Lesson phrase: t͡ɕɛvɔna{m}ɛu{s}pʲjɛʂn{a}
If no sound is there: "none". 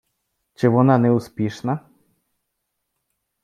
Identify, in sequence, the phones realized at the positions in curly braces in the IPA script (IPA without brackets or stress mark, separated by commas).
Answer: n, s, a